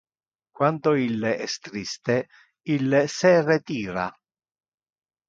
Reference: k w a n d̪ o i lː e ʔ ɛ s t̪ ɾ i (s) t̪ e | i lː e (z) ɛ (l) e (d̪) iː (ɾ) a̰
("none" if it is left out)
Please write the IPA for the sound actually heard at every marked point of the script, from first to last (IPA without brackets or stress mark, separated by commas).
s, s, r, t̪, ɾ